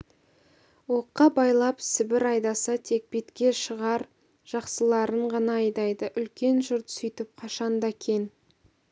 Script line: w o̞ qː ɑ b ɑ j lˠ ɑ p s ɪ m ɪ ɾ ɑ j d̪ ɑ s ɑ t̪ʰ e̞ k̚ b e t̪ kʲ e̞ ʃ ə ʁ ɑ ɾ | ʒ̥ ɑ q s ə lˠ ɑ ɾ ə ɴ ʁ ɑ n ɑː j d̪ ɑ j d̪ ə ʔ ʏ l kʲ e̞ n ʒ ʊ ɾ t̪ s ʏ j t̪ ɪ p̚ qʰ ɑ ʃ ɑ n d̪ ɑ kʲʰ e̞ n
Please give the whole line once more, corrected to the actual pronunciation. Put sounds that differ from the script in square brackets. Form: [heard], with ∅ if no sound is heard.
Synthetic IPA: w o̞ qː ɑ b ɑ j lˠ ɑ p s ɪ [b] ɪ ɾ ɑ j d̪ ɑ s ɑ t̪ʰ e̞ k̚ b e t̪ kʲ e̞ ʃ ə ʁ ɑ ɾ | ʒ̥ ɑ q s ə lˠ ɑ ɾ ə ɴ ʁ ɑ n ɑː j d̪ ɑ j d̪ ə ʔ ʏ l kʲ e̞ n ʒ ʊ ɾ t̪ s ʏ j t̪ ɪ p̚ qʰ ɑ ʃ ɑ n d̪ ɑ kʲʰ e̞ n